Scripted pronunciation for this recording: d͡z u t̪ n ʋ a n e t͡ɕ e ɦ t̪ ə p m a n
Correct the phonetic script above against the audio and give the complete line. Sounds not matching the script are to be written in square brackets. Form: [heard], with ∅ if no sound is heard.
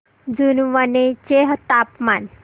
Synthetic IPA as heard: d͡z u [∅] n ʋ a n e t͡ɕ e ɦ t̪ [a] p m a n